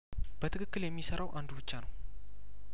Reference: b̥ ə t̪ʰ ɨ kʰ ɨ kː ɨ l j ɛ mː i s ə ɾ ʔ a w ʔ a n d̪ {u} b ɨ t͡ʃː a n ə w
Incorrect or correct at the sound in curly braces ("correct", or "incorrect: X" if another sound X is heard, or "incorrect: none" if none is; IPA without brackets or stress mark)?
correct